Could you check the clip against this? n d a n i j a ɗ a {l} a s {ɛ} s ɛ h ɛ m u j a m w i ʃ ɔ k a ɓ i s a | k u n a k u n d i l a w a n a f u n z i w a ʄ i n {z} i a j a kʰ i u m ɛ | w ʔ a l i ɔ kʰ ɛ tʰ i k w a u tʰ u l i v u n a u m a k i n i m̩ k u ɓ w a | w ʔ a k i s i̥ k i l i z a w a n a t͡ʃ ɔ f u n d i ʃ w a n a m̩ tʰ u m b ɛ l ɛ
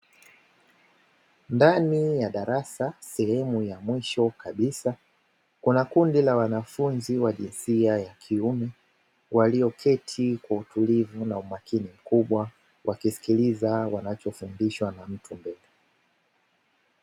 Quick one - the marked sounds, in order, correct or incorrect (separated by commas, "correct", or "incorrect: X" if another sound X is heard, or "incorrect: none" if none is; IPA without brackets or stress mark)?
incorrect: ɾ, incorrect: a, incorrect: s